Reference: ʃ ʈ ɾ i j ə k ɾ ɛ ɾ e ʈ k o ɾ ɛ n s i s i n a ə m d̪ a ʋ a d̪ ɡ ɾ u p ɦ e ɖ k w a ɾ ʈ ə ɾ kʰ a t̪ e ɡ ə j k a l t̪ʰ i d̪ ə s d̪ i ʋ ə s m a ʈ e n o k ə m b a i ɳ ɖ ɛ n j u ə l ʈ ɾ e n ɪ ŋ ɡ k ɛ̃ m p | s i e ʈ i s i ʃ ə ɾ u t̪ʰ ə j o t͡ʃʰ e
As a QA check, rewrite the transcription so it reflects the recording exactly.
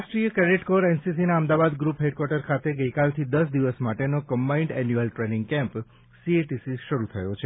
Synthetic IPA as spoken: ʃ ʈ ɾ i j ə k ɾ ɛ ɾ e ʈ k o ɾ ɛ n s i s i n a ə m d̪ a ʋ a d̪ ɡ ɾ u p ɦ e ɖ k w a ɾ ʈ ə ɾ kʰ a t̪ e ɡ ə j k a l t̪ʰ i d̪ ə s d̪ i ʋ ə s m a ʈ e n o k ə m b a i ɳ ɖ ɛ n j u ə l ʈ ɾ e n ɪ ŋ ɡ k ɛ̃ m p | s i e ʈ i s i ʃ ə ɾ u t̪ʰ ə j o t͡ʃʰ e